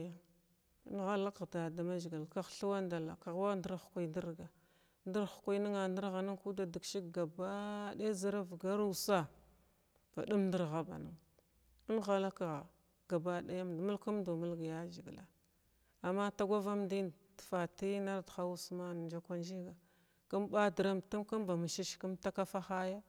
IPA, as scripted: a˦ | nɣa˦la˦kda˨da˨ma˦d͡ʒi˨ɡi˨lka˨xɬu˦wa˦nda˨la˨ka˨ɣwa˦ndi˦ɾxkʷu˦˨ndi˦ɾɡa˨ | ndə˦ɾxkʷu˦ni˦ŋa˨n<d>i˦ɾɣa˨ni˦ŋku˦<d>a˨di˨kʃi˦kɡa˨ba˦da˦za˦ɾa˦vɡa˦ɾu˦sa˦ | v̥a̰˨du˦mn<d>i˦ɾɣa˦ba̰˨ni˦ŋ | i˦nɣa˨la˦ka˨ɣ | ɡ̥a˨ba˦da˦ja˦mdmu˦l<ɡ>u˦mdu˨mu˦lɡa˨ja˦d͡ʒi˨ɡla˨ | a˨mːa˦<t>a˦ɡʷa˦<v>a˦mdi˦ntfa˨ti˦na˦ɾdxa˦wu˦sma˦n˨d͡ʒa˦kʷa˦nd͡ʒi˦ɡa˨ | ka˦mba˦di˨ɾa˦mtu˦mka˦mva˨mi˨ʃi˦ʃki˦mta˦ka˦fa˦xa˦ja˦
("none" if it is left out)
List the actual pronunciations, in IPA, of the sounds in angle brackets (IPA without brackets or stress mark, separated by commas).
d, d, d, k, t, v